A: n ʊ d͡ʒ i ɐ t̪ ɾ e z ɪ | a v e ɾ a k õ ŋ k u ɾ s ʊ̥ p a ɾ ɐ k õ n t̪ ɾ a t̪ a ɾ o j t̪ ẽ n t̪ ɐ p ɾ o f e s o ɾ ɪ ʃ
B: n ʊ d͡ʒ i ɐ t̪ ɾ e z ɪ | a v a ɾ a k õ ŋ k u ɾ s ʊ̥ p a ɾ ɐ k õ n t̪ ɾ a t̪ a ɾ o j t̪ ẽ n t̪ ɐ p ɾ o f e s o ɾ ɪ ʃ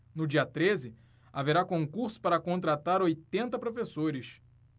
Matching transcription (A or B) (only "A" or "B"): A